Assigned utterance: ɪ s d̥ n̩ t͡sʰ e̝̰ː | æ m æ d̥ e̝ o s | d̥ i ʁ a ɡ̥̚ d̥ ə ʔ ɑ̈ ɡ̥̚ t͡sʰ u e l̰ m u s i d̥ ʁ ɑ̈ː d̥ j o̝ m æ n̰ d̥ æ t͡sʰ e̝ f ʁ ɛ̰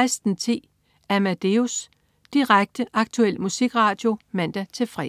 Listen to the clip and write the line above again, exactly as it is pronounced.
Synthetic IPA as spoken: ɪ s d̥ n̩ t͡sʰ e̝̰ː | æ m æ d̥ e̝ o s | d̥ i ʁ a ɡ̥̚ d̥ ə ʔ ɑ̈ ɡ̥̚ t͡sʰ u e l̰ m u s i ɡ̥ ʁ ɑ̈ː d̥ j o̝ m æ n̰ d̥ æ t͡sʰ e̝ f ʁ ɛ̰